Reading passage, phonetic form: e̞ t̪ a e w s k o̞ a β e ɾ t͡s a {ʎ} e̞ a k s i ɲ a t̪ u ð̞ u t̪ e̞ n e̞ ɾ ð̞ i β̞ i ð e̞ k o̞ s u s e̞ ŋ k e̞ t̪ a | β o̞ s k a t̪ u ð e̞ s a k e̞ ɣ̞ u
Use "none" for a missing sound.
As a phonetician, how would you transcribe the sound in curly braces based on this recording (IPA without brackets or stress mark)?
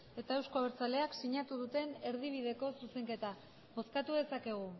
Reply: l